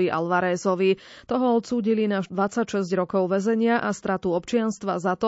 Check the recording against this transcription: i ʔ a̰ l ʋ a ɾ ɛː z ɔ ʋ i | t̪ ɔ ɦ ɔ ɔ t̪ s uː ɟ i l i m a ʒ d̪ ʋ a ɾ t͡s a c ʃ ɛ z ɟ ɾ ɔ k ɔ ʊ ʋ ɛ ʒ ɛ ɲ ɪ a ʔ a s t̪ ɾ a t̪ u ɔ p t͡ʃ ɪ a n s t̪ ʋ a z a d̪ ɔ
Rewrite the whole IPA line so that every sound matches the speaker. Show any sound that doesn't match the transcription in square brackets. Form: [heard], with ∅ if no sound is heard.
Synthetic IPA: i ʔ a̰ l ʋ a ɾ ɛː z ɔ ʋ i | t̪ ɔ ɦ ɔ ɔ t̪ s uː ɟ i l i [n] a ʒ d̪ ʋ a [∅] t͡s a c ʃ ɛ z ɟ ɾ ɔ k ɔ ʊ ʋ ɛ [z] ɛ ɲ ɪ a ʔ a s t̪ ɾ a t̪ u ɔ p t͡ʃ ɪ a n s t̪ ʋ a z a [t̪] ɔ